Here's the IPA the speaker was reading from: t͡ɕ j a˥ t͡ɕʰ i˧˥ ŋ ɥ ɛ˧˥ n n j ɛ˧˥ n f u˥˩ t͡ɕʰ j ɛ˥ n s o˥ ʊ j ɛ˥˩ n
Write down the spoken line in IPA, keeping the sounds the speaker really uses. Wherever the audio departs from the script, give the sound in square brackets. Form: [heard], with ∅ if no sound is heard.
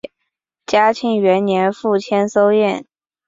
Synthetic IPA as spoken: t͡ɕ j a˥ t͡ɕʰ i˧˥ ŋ ɥ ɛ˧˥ n n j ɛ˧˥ n f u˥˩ t͡ɕʰ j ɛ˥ n s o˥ ʊ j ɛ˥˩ n